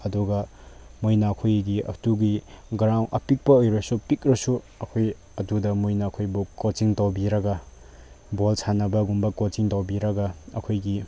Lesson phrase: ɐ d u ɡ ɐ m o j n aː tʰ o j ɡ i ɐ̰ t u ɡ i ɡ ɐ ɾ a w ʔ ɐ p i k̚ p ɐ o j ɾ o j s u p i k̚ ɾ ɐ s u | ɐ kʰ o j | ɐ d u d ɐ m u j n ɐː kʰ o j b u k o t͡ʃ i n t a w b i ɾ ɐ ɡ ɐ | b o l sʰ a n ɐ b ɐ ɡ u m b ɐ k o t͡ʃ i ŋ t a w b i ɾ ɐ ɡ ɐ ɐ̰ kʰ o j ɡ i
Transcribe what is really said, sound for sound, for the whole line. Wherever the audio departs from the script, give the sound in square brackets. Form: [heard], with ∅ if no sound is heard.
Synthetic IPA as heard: ɐ d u ɡ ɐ m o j n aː [kʰ] o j ɡ i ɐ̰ t u ɡ i ɡ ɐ ɾ a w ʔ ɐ p i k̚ p ɐ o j ɾ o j s u p i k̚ ɾ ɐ s u | ɐ kʰ o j | ɐ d u d ɐ m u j n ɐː kʰ o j b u k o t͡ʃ i [ŋ] t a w b i ɾ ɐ ɡ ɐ | b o l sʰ a n ɐ b ɐ ɡ u m b ɐ k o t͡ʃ i ŋ t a w b i ɾ ɐ ɡ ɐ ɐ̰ kʰ o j ɡ i